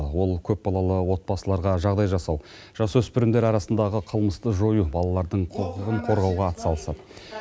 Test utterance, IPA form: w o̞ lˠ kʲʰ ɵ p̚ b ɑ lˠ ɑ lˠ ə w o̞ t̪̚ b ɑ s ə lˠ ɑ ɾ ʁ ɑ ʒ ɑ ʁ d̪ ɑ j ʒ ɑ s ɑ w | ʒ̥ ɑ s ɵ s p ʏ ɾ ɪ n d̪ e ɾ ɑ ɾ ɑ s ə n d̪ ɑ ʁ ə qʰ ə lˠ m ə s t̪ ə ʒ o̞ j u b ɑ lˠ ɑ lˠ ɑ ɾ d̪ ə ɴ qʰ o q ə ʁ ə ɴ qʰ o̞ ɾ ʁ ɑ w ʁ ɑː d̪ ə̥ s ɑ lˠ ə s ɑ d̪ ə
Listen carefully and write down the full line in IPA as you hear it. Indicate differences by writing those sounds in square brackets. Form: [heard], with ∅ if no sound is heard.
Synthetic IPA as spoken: w o̞ lˠ kʲʰ ɵ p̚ b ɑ lˠ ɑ lˠ ə w o̞ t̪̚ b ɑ s ə lˠ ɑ ɾ ʁ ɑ ʒ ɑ ʁ d̪ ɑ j ʒ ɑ s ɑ w | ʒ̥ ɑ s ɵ s p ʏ ɾ ɪ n d̪ e ɾ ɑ ɾ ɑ s ə n d̪ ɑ ʁ ə qʰ ə lˠ m ə s t̪ ə ʒ o̞ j u b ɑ lˠ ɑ lˠ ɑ ɾ d̪ ə ɴ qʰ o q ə ʁ ə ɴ qʰ o̞ ɾ ʁ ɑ w ʁ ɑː [t̪] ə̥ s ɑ lˠ ə s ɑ d̪ ə